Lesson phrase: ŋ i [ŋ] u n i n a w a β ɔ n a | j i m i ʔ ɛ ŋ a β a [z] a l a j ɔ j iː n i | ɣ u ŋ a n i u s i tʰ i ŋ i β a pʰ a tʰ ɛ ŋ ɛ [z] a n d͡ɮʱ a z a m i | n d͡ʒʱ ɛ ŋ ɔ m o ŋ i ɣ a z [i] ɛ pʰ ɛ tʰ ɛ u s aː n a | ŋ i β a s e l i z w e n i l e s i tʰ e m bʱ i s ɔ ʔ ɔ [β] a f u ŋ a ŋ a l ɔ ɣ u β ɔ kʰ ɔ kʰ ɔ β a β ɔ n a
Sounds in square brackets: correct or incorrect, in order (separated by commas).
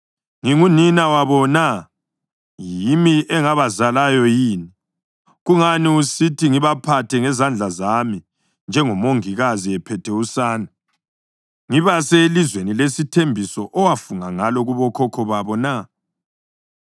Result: correct, correct, correct, correct, incorrect